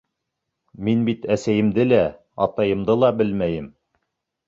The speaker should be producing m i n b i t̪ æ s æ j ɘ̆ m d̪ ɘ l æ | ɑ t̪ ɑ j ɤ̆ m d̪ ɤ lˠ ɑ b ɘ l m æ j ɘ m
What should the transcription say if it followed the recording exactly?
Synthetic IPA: m i n b i t̪ æ s æ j ɘ̆ m d̪ ɘ l æ | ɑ t̪ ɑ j ɤ̆ m d̪ ɤ lˠ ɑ b ɘ l m æ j ɘ m